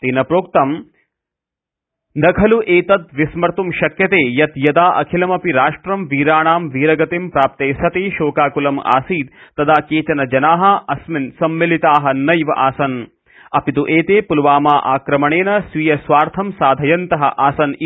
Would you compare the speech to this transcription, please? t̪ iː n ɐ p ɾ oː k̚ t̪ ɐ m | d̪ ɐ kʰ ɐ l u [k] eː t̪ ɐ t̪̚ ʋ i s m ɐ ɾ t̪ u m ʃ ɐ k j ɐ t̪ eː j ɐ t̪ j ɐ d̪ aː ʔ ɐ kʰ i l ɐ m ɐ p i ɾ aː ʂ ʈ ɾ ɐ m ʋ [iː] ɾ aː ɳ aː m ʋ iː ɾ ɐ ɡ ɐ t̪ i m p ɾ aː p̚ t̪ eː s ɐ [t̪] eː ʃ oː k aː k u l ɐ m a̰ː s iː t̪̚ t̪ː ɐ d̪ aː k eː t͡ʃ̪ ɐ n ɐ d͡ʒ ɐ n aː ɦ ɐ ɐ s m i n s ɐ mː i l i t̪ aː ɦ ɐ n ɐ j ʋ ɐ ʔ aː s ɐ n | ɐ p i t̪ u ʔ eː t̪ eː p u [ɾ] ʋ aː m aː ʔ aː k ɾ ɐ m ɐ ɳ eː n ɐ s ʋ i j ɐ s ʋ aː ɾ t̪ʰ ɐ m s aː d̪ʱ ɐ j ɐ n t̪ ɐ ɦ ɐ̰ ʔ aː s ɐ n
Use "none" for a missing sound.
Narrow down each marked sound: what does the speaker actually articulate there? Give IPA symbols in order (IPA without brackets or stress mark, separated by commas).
ʔ, iː, t̪, l